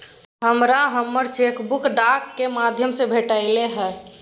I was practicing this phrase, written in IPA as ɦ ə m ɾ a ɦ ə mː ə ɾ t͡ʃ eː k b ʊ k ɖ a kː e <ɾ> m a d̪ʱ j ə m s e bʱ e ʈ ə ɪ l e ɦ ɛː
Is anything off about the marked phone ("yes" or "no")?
yes